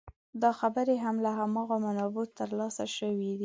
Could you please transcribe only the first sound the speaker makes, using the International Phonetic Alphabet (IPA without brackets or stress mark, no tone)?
d̪